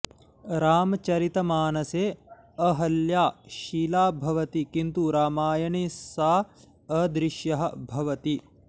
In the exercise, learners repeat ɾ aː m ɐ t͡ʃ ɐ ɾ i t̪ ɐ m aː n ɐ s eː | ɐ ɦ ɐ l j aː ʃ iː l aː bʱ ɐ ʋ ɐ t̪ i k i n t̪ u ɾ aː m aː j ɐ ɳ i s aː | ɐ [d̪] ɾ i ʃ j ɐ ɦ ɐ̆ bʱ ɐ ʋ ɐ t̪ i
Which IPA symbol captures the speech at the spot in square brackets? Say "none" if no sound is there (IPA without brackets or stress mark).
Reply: d̪